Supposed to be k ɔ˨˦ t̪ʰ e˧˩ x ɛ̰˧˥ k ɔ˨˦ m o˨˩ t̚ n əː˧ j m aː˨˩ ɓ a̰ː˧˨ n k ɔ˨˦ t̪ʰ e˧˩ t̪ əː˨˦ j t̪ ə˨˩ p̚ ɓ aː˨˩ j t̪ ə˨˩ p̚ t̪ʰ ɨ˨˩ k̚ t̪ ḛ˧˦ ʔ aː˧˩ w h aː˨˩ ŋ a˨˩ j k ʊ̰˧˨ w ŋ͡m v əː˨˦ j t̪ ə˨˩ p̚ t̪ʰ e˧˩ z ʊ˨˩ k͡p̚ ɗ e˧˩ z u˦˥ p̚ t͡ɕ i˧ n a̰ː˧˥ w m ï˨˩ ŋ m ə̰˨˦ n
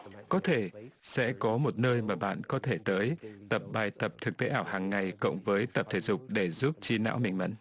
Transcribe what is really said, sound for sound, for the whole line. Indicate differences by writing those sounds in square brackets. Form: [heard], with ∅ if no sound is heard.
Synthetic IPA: k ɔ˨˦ t̪ʰ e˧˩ [s] ɛ̰˧˥ k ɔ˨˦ m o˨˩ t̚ n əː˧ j m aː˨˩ ɓ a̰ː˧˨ n k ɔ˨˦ t̪ʰ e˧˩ t̪ əː˨˦ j t̪ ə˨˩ p̚ ɓ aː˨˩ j t̪ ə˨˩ p̚ t̪ʰ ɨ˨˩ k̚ t̪ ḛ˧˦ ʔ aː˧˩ w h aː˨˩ [ŋː] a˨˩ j k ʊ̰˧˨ w ŋ͡m v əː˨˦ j t̪ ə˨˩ p̚ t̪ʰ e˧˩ z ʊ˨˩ k͡p̚ ɗ e˧˩ z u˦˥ p̚ t͡ɕ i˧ n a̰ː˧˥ w m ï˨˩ ŋ m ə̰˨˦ n